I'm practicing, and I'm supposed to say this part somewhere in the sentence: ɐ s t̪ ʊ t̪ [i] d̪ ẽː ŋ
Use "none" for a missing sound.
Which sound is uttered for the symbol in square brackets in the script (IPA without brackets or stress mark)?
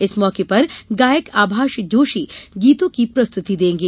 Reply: i